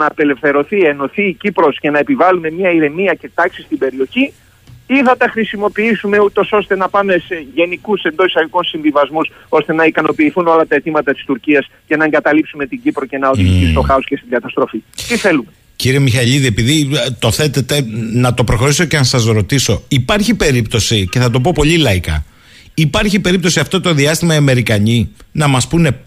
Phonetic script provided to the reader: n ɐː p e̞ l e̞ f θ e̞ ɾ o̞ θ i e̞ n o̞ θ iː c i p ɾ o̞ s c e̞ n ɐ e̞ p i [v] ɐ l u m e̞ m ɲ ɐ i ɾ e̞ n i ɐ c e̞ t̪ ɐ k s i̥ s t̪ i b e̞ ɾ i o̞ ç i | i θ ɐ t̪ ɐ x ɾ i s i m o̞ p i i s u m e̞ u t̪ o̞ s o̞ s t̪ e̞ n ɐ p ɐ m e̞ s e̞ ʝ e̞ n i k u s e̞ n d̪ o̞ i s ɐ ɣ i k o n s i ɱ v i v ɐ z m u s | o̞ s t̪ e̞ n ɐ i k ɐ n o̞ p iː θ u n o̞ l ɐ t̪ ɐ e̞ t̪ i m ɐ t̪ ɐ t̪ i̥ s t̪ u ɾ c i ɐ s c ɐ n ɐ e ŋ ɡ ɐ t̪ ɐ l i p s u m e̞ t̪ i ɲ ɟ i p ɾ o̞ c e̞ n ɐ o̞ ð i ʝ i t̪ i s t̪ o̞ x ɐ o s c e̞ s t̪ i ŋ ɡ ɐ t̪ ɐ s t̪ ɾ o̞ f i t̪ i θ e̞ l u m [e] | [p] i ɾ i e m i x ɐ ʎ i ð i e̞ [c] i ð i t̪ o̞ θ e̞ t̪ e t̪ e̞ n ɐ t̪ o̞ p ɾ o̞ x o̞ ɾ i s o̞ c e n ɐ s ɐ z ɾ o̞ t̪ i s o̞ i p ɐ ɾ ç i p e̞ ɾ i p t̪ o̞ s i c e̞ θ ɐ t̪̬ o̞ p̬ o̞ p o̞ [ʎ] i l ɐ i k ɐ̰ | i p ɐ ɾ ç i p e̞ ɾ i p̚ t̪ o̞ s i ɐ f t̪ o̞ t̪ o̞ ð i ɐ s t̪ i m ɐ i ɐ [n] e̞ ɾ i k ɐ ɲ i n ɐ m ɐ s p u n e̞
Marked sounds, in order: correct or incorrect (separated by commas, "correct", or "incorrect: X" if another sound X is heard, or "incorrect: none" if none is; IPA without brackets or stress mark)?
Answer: correct, correct, incorrect: c, incorrect: p, correct, incorrect: m